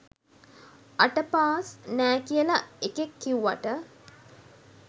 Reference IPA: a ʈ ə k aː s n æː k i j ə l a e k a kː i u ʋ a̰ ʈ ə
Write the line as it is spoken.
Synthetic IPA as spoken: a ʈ ə p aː s n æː k i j ə l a e k e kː i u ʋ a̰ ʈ ə